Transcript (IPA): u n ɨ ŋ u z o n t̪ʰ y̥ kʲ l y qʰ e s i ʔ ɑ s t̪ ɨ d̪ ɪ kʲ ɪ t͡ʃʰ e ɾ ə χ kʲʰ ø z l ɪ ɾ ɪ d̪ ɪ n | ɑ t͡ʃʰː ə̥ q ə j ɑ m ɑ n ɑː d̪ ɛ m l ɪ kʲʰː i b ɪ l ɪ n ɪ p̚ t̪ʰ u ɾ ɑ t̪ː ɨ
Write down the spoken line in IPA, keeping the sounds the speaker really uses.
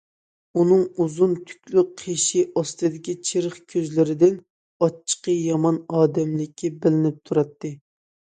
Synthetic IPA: u n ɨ ŋ u z u n t̪ʰ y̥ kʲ l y qʰ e ʃ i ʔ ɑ s t̪ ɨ d̪ ɪ kʲ i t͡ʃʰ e ɾ ə χ kʲʰ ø z l ɪ ɾ ɪ d̪ ɪ n | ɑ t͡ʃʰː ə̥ q ə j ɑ m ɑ n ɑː d̪ ɛ m l ɪ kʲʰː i b ɪ l ɪ n ɪ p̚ t̪ʰ u ɾ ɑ t̪ː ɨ